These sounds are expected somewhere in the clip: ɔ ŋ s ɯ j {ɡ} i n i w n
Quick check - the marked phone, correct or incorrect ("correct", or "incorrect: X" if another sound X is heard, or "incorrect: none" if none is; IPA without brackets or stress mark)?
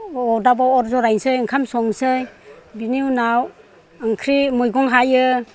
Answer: incorrect: b